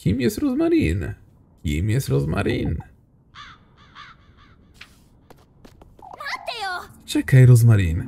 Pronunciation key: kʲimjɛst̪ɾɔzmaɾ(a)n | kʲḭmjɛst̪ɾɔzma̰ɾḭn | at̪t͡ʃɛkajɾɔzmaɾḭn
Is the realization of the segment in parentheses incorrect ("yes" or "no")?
yes